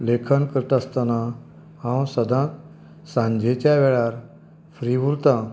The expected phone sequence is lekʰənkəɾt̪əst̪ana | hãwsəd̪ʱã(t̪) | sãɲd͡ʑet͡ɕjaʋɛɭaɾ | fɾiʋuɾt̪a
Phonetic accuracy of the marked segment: correct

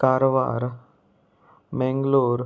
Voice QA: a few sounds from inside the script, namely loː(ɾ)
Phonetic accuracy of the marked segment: correct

